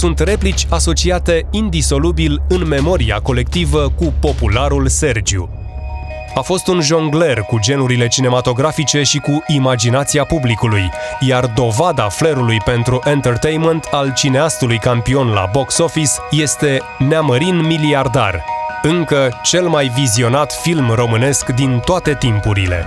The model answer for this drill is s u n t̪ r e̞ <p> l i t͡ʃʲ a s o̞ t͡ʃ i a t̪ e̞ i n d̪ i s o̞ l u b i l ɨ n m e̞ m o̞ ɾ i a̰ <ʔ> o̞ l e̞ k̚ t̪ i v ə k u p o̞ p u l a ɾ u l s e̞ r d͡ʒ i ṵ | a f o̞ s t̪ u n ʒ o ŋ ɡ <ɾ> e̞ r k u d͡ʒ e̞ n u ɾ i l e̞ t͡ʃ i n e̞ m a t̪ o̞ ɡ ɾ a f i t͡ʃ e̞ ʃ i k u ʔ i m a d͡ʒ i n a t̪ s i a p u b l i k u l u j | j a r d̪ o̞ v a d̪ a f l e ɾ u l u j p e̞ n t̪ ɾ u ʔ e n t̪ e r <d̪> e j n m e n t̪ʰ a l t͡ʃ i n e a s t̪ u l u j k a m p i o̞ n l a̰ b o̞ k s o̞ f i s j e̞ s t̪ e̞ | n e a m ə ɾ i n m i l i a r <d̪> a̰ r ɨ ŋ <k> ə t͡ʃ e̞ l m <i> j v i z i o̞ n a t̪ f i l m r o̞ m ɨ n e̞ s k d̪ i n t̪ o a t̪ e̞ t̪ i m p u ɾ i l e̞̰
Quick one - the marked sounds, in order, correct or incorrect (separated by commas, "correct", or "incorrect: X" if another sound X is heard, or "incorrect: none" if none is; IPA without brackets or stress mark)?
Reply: correct, incorrect: k, incorrect: l, incorrect: t̪, correct, correct, incorrect: a